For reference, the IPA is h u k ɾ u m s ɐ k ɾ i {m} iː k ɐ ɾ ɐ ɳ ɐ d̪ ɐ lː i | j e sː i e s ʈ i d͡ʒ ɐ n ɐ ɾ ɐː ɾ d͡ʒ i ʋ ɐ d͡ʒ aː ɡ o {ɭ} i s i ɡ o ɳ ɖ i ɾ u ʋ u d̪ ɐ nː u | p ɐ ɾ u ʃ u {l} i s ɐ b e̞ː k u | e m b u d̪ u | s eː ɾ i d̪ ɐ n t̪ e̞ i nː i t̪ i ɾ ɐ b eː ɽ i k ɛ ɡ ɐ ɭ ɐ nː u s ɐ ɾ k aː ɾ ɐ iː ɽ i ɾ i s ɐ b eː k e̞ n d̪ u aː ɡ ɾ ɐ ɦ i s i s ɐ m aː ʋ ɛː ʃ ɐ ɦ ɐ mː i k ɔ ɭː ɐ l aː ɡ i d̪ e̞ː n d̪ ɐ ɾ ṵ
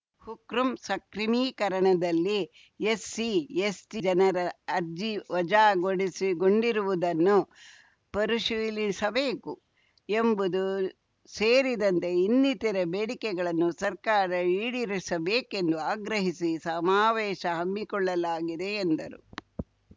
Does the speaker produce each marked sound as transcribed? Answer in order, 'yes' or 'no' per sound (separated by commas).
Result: yes, no, yes